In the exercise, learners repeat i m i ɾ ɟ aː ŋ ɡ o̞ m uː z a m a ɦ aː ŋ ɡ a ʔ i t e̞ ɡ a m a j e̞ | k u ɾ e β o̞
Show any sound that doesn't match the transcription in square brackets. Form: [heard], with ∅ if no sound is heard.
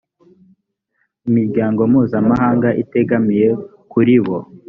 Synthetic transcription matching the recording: i m i ɾ ɟ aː ŋ ɡ o̞ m uː z a m a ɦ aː ŋ ɡ a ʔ i t e̞ ɡ a m [i] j e̞ | k u ɾ [i] β o̞